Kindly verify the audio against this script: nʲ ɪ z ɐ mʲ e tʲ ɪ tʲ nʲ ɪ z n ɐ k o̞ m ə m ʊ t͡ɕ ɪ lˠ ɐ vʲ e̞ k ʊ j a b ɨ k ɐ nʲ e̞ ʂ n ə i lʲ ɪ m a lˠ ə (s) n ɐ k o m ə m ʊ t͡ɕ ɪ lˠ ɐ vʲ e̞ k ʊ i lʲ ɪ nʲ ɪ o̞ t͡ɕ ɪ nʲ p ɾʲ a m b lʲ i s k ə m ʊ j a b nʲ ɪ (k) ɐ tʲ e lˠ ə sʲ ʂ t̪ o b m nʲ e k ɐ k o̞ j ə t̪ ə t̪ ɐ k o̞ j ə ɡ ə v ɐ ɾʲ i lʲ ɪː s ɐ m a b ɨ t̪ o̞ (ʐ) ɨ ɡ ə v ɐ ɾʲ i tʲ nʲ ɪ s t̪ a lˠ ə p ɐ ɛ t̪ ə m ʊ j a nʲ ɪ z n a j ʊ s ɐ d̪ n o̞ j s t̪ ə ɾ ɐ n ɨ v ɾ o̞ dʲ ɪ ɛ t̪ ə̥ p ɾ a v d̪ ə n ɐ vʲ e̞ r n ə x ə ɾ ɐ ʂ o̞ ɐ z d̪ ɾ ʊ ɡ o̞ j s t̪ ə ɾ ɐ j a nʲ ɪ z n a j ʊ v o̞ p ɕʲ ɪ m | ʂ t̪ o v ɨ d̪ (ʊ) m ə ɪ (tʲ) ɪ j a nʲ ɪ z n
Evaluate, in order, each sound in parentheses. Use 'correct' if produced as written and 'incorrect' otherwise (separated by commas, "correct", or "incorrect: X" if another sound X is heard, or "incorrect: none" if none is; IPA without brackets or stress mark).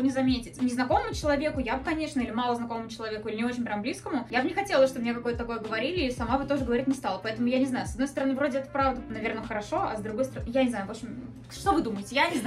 incorrect: z, incorrect: x, correct, incorrect: u, correct